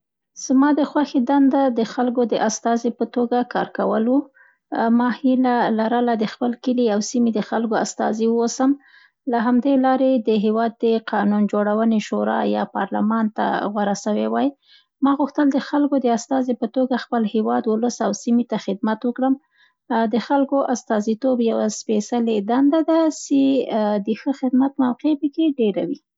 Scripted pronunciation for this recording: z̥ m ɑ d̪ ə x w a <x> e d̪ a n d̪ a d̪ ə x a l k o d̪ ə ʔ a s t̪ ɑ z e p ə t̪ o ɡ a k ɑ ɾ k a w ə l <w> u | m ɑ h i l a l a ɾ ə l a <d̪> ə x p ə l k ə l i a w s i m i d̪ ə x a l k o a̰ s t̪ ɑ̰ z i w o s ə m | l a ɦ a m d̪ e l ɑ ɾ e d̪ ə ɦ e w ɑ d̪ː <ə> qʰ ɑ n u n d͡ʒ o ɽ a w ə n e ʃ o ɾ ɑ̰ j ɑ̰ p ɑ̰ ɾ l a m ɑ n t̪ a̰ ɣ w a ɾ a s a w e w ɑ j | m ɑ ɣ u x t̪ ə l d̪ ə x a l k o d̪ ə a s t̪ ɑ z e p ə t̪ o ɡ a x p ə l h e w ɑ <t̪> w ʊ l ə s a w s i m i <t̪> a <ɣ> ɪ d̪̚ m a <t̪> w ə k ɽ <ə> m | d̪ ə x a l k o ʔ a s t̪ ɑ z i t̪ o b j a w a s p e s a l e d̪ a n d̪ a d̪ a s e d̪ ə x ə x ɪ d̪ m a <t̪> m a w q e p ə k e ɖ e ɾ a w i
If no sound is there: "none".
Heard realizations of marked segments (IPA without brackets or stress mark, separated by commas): x, w, d̪, ə, d̪, t̪, x, t̪, ə, t̪